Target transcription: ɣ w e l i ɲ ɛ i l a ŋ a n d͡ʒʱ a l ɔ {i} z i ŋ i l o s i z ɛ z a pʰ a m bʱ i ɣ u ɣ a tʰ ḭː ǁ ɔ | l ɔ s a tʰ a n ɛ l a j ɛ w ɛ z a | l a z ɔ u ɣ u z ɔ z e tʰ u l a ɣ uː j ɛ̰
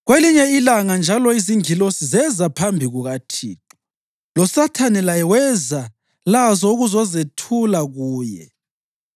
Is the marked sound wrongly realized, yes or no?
no